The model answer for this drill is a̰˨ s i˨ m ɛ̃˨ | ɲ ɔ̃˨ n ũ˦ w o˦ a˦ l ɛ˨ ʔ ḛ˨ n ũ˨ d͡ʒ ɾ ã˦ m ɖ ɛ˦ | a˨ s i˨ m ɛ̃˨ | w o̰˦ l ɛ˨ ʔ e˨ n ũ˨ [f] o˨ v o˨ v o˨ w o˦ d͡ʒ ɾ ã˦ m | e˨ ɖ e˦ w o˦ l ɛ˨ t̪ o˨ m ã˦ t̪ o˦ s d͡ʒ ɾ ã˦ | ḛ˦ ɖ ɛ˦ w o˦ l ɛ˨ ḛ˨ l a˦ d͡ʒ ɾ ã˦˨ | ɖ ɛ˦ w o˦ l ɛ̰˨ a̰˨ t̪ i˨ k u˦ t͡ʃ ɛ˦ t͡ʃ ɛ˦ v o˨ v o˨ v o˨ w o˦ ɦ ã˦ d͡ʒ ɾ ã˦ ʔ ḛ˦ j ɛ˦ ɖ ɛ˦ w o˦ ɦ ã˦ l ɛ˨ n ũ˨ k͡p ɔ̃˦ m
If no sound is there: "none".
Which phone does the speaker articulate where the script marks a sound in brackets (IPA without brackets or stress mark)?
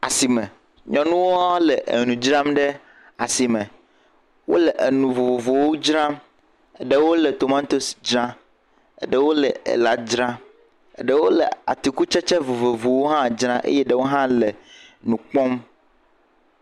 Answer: v